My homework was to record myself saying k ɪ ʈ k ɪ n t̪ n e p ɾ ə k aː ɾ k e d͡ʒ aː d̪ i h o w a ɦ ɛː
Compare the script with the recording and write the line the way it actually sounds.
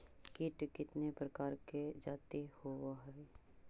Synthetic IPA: k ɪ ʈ k ɪ t̪ n e p ɾ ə k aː ɾ k e d͡ʒ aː t̪ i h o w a ɦ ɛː